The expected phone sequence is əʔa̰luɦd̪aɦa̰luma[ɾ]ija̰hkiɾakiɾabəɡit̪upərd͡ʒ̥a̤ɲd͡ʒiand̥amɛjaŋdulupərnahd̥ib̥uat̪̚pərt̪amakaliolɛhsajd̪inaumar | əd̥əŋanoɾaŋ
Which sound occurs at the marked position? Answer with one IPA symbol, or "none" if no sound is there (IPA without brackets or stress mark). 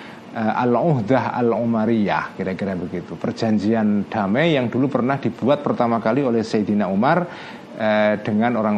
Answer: ɾ